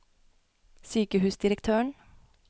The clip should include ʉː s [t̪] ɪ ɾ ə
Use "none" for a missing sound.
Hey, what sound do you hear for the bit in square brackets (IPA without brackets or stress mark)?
d̪